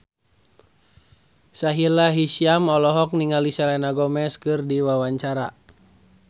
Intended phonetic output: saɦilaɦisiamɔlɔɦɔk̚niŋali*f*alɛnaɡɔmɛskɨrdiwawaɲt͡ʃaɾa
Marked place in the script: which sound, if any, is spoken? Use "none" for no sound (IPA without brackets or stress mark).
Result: s